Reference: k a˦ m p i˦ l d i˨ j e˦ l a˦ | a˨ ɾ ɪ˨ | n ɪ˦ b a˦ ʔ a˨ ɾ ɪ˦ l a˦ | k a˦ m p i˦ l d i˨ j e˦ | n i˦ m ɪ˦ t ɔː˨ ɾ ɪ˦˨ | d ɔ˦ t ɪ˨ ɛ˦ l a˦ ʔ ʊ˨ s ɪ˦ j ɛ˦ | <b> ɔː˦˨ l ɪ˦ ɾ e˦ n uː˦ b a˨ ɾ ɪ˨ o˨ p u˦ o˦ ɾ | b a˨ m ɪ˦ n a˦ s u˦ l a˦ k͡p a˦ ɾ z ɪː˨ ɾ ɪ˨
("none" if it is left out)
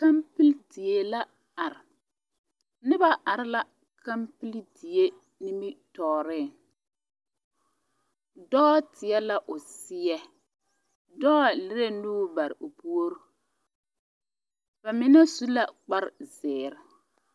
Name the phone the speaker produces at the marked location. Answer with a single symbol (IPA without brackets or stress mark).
d